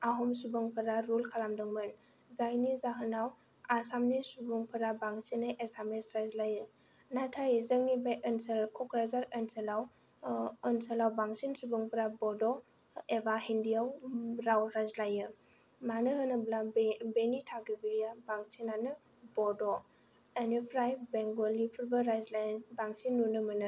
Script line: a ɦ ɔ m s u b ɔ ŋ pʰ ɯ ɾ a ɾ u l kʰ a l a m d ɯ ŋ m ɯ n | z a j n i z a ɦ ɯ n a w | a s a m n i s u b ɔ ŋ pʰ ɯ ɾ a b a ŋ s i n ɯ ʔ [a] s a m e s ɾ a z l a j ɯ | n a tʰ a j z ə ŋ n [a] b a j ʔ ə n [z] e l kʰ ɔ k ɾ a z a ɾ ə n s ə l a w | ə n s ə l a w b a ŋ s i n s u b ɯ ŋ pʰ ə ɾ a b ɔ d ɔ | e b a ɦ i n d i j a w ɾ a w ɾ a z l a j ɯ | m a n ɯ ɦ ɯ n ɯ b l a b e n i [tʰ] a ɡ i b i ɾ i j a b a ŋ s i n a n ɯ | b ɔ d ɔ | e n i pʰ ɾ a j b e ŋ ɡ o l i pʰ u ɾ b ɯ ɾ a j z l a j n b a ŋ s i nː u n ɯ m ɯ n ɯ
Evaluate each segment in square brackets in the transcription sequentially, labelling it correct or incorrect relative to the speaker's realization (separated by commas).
incorrect, incorrect, incorrect, correct